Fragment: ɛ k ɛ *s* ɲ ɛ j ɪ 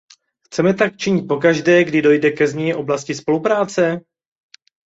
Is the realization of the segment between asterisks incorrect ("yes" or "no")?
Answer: yes